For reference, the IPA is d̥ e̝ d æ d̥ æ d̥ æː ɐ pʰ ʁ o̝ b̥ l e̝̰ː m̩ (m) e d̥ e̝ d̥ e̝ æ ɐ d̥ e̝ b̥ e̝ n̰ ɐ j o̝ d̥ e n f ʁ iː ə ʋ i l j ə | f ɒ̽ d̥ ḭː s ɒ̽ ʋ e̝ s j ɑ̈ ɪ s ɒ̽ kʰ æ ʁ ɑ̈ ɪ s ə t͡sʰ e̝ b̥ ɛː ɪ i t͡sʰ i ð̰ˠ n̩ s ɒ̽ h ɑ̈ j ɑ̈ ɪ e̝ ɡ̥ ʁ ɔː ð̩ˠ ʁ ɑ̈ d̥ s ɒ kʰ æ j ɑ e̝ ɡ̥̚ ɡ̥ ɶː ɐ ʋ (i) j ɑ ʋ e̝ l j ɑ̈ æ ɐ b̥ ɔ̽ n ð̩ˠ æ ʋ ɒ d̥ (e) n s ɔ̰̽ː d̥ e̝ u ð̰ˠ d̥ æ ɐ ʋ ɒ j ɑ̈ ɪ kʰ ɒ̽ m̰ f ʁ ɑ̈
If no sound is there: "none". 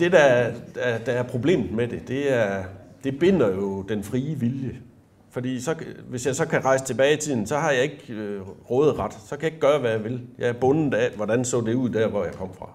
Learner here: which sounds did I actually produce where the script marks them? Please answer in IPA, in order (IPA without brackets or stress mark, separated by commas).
m, æ, æ